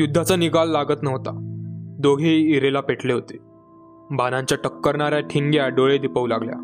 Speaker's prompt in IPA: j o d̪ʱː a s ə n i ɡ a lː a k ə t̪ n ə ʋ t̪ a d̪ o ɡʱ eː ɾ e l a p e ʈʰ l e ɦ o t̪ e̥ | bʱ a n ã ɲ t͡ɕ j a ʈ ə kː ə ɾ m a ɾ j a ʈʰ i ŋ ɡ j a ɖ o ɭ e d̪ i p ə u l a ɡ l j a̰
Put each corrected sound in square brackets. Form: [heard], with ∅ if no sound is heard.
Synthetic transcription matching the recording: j [u] d̪ʱː a [t͡s] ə n i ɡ a lː a [ɡ] ə t̪ n ə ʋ t̪ a d̪ o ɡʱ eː ɾ e l a p e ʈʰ l e ɦ o t̪ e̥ | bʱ a n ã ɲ t͡ɕ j a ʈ ə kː ə ɾ [ɳ] a ɾ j a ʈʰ i ŋ ɡ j a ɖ o ɭ e d̪ i p ə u l a ɡ l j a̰